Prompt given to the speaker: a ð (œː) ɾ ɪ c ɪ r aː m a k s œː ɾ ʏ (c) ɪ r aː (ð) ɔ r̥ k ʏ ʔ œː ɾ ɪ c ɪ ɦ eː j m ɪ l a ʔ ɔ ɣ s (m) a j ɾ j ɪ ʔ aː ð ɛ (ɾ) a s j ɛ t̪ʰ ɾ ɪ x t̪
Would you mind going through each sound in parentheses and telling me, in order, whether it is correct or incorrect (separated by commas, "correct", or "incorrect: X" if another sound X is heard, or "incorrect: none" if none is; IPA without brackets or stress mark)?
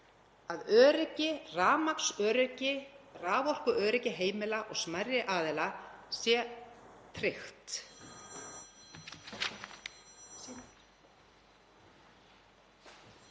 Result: correct, correct, incorrect: v, correct, incorrect: l